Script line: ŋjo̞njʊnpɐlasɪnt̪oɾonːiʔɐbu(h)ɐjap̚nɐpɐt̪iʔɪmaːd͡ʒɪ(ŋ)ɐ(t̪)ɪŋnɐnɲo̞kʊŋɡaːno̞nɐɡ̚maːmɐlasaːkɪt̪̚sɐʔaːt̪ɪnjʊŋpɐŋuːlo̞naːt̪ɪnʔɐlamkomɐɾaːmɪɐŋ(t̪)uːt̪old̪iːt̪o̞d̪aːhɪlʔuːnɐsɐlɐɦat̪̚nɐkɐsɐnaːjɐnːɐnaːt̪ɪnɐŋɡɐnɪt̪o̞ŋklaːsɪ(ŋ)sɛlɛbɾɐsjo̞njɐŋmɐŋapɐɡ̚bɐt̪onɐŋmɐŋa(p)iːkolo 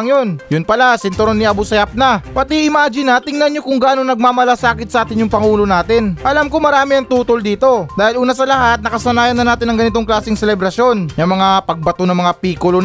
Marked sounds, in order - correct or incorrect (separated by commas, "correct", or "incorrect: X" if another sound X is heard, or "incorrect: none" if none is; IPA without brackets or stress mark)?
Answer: incorrect: s, incorrect: n, correct, correct, correct, correct